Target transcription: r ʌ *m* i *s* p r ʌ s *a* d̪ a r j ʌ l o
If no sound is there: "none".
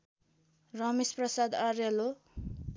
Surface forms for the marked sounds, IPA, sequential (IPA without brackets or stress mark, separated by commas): m, s, a